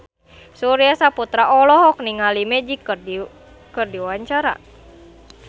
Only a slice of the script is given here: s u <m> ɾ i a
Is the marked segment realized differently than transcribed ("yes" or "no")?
yes